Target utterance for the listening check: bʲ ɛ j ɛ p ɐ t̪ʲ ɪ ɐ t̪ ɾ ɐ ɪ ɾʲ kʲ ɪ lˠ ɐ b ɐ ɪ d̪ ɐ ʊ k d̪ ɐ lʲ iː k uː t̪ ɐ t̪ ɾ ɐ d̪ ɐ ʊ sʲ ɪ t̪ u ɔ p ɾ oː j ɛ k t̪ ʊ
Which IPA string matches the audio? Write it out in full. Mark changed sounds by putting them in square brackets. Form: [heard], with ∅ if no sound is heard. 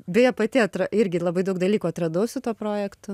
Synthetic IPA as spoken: bʲ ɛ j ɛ p ɐ t̪ʲ ɪ ɐ t̪ ɾ ɐ ɪ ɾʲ [ɡʲ] ɪ lˠ ɐ b ɐ ɪ d̪ ɐ ʊ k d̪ ɐ lʲ iː k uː [∅] ɐ t̪ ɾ ɐ d̪ ɐ ʊ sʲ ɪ t̪ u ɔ p ɾ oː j ɛ k t̪ ʊ